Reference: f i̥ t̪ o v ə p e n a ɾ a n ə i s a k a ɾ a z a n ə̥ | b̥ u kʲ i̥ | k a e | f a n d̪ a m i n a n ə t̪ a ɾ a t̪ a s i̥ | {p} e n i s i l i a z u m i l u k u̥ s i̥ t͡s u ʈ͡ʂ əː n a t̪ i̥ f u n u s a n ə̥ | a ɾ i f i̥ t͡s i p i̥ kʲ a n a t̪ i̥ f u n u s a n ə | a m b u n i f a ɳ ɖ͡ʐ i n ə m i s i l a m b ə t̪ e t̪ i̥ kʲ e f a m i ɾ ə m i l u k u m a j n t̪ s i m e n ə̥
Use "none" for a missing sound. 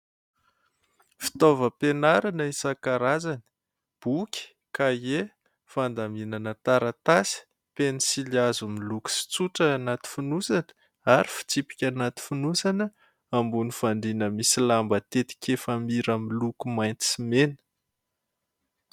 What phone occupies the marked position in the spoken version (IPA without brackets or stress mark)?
p